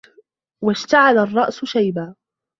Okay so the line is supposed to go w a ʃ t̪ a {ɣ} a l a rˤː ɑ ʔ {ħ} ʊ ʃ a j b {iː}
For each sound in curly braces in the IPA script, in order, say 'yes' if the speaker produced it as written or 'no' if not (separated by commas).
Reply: no, no, no